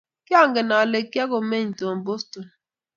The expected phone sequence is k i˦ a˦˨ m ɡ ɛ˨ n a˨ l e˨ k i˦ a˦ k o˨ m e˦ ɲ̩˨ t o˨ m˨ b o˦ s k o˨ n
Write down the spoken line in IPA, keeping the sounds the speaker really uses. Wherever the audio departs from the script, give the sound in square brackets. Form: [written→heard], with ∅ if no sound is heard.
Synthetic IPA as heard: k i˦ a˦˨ [m→ŋ] ɡ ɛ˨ n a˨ l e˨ k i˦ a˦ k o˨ m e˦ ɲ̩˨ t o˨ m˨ b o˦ s [k→t] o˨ n